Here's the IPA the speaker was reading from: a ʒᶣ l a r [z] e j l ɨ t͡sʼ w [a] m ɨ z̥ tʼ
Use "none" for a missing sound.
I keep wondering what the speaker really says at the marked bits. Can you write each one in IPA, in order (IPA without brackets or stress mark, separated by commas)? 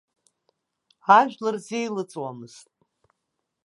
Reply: z, a